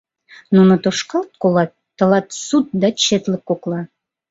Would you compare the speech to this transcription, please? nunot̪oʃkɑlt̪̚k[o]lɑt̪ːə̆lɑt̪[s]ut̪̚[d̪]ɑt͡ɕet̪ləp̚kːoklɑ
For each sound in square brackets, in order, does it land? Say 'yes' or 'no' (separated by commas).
yes, yes, yes